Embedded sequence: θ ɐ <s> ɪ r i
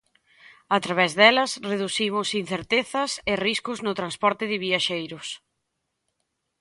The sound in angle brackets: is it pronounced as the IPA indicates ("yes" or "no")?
yes